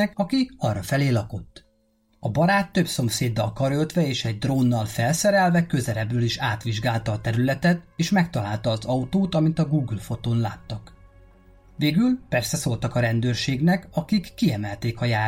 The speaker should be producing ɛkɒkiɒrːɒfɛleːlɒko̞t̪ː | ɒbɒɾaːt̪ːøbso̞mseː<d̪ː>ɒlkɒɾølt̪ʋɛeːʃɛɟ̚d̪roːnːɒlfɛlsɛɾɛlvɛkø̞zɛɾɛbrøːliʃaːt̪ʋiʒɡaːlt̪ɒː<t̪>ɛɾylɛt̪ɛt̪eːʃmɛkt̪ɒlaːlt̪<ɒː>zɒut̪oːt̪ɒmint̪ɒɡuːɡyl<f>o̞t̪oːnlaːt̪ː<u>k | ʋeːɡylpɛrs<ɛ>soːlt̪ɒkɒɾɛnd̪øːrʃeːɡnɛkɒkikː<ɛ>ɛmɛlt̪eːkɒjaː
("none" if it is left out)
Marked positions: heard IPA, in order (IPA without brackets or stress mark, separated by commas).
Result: d̪ː, t̪, ɒː, f, ɒ, ɛ, i